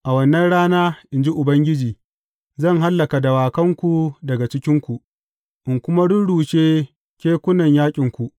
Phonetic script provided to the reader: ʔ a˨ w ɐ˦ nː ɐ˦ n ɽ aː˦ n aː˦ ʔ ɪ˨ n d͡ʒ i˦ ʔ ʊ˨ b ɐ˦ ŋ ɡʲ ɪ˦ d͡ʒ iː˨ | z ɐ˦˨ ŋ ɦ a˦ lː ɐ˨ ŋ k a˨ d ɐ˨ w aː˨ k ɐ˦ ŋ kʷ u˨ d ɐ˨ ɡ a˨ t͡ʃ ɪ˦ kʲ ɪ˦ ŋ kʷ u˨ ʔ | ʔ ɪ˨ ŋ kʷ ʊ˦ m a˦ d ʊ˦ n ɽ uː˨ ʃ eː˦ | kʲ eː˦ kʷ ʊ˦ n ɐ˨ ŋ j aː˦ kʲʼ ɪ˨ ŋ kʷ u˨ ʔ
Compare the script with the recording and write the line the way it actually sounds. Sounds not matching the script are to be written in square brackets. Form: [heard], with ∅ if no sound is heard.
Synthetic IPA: ʔ a˨ w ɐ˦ nː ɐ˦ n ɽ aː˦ n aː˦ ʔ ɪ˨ n d͡ʒ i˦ ʔ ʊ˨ b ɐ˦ ŋ ɡʲ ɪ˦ d͡ʒ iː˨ | z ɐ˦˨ ŋ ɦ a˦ lː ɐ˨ [∅] k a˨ d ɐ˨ w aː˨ k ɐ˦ ŋ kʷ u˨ d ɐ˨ ɡ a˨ t͡ʃ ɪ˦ kʲ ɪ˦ ŋ kʷ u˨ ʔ | ʔ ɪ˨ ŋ kʷ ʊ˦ m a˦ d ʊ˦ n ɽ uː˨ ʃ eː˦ | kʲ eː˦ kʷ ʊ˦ n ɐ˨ [ɲ] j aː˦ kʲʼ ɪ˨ ŋ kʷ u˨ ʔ